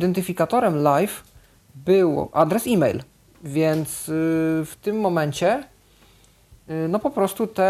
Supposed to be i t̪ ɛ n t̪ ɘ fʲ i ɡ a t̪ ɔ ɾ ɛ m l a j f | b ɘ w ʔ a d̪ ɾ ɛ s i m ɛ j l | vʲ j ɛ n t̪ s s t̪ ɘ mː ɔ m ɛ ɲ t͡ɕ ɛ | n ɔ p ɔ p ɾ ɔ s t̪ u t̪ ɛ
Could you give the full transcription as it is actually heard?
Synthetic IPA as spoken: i d̪ ɛ n t̪ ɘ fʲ i k a t̪ ɔ ɾ ɛ m l a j f | b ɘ w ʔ a d̪ ɾ ɛ s i m ɛ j l | vʲ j ɛ n t̪ s f t̪ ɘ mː ɔ m ɛ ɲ t͡ɕ ɛ | n ɔ p ɔ p ɾ ɔ s t̪ u t̪ ɛ